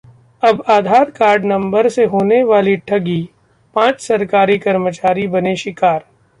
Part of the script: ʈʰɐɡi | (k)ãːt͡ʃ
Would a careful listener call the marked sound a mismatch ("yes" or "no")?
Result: yes